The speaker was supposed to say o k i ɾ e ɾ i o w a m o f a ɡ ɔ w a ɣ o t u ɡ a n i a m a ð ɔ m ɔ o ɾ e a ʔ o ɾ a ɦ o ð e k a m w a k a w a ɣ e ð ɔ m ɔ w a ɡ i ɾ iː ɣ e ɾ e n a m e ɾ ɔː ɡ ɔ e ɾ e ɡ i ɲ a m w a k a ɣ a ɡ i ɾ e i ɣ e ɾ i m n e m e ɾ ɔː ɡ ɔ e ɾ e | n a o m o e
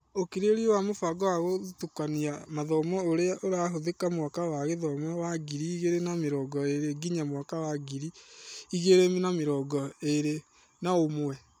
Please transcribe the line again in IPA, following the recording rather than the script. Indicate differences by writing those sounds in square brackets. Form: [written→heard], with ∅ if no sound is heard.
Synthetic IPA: o k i ɾ e ɾ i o w a m o f a ɡ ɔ w a ɣ o t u [ɡ→k] a n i a m a ð ɔ m ɔ o ɾ e a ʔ o ɾ a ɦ o ð e k a m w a k a w a ɣ e ð ɔ m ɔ w a ɡ i ɾ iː ɣ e ɾ e n a m e ɾ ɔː ɡ ɔ e ɾ e ɡ i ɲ a m w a k a [ɣ→w] a ɡ i ɾ [e→i] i ɣ e ɾ [i→e] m n [e→a] m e ɾ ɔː ɡ ɔ e ɾ e | n a o m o [e→ɛ]